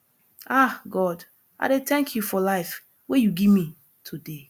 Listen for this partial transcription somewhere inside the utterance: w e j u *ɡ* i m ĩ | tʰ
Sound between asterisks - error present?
no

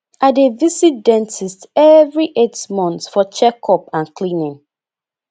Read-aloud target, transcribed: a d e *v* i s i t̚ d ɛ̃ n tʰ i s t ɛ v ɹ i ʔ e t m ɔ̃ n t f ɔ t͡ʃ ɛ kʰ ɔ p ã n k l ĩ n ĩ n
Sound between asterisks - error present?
no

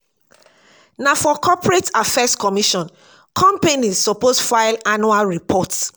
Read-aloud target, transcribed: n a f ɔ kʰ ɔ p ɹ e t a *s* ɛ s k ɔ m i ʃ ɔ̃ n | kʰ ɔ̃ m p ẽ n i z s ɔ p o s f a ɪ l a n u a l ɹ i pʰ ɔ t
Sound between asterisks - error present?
yes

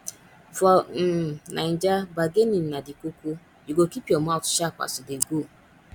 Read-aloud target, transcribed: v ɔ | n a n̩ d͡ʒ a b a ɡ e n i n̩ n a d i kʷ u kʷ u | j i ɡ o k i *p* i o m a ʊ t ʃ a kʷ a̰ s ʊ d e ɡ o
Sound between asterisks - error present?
no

